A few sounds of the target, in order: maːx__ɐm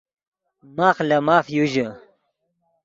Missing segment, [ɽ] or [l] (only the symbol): l